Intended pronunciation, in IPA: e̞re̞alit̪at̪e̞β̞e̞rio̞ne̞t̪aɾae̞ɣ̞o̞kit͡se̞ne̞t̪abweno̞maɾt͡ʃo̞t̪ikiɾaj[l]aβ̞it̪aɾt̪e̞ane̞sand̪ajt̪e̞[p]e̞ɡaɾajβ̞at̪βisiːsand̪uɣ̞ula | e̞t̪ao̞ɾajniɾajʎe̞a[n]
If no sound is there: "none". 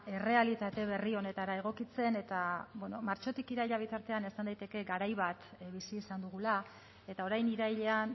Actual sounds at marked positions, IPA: ʎ, k, n

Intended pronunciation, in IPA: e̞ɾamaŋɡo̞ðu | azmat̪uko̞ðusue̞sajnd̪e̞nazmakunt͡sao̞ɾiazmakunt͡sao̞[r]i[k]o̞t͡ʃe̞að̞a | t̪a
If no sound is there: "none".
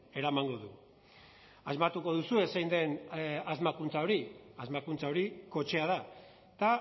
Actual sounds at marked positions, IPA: ɾ, k

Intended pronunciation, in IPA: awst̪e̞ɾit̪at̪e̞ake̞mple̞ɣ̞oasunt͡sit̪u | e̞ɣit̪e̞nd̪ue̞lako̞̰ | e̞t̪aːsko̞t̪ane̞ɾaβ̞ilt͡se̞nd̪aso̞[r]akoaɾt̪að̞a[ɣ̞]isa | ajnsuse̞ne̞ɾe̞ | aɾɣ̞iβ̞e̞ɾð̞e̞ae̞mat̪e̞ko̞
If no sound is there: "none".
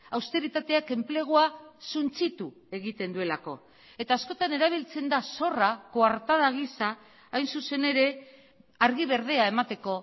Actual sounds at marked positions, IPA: r, ɣ̞

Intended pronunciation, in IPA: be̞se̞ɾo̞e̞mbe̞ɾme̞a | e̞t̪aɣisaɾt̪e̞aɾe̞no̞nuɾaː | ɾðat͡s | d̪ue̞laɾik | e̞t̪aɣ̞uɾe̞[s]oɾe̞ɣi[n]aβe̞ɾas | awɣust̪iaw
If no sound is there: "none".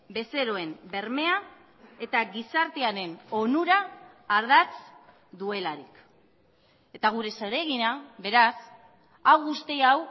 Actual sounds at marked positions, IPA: s, n

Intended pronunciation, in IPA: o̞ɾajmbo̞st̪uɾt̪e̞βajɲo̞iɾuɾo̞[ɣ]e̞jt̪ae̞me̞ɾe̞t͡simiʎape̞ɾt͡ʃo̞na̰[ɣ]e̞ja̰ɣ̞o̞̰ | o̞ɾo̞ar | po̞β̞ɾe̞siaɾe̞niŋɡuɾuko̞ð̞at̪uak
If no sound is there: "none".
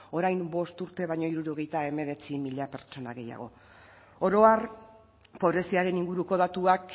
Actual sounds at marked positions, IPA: ɣ, ɣ

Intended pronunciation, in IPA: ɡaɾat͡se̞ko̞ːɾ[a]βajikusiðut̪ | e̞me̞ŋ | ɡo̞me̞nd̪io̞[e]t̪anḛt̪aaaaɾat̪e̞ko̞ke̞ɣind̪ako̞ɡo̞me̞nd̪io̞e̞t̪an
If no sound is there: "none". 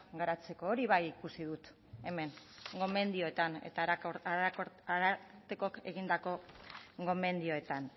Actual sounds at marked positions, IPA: i, e

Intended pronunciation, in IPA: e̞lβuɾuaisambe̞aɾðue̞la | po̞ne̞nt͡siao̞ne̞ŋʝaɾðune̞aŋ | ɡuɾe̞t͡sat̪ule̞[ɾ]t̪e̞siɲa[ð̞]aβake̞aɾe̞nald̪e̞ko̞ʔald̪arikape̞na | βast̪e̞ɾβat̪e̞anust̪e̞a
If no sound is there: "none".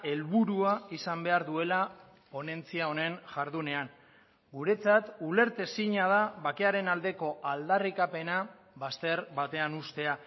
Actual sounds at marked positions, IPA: ɾ, ð̞

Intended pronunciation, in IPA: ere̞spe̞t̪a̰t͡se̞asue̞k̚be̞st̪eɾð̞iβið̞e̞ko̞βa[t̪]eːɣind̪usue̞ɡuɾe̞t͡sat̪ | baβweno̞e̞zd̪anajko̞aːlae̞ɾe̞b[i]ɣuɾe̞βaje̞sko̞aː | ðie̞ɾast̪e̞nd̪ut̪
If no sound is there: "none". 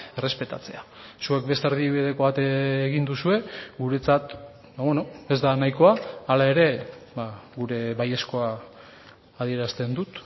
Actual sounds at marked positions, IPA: t̪, a

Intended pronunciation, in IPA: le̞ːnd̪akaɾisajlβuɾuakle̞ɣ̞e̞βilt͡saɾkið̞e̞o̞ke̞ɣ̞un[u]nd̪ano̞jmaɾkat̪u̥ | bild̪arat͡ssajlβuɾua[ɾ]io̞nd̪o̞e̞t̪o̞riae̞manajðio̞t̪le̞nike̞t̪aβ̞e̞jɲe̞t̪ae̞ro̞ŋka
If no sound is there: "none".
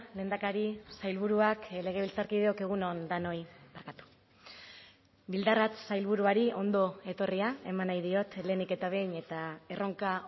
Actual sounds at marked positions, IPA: o, ɾ

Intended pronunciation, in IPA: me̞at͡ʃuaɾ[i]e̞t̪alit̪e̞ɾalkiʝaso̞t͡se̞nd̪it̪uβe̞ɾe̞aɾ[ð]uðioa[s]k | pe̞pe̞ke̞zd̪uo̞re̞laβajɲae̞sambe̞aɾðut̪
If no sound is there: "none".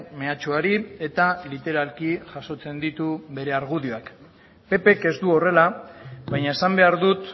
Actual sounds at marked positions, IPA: i, ɣ, none

